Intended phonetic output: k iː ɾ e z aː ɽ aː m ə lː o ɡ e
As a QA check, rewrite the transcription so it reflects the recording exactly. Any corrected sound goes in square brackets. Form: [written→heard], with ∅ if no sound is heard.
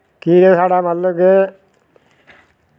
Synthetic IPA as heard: k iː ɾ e [z→s] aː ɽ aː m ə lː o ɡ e